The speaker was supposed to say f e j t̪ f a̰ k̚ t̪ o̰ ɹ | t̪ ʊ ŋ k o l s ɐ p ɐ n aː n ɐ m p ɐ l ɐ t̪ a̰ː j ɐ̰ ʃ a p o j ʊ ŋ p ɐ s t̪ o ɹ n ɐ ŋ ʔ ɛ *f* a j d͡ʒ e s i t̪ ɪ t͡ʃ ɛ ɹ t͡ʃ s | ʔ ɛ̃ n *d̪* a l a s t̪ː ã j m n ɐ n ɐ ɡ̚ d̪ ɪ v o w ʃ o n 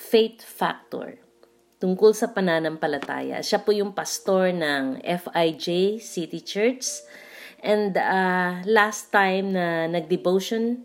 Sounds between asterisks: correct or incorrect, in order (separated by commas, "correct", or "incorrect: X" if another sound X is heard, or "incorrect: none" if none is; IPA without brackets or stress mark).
correct, correct